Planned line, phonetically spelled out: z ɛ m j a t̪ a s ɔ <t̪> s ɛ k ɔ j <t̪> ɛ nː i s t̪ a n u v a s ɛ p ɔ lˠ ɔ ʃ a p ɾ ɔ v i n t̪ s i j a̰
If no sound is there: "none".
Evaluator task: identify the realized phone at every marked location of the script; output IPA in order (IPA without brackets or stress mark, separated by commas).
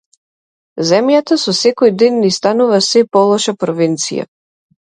none, d̪